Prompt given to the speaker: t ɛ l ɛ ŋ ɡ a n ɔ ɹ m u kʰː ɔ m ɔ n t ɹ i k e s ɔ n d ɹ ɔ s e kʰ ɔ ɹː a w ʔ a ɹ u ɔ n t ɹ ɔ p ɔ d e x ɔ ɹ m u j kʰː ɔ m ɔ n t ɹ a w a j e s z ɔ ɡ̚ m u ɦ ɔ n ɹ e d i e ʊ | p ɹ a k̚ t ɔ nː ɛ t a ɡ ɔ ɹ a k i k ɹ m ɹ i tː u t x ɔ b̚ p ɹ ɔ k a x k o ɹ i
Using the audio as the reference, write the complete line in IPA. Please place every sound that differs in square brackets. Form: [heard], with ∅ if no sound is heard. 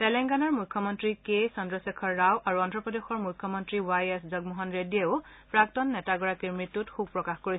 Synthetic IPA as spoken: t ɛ l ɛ ŋ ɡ a n ɔ ɹ m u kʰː ɔ m ɔ n t ɹ i k e s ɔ n d ɹ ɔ s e kʰ ɔ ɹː a w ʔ a ɹ u ɔ n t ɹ ɔ p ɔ d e x ɔ ɹ m u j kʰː ɔ m ɔ n t ɹ [i] w a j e s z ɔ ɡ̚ m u ɦ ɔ n ɹ e d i e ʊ | p ɹ a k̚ t ɔ nː ɛ t a ɡ ɔ ɹ a k i [∅] ɹ m ɹ i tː u t x [u] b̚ p ɹ ɔ k a x k o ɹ i